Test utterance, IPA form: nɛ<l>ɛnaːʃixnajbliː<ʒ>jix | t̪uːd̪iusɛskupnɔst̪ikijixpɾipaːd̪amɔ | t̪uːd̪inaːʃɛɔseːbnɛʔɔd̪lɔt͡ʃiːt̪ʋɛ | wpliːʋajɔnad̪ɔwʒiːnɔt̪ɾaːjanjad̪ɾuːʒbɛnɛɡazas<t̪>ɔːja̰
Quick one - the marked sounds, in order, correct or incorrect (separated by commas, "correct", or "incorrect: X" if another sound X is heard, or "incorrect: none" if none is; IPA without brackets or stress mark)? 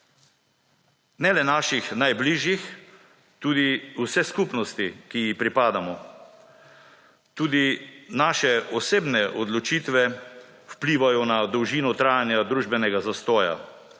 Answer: correct, correct, correct